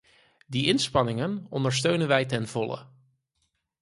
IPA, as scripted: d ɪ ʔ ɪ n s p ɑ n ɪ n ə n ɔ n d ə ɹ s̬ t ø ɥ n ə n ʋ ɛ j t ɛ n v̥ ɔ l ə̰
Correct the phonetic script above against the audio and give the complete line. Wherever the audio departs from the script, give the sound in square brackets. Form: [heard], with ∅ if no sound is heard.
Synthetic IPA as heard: d [i] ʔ ɪ n s p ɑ n ɪ [ŋ] ə n ɔ n d ə ɹ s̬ t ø ɥ n ə n ʋ ɛ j t ɛ n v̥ ɔ l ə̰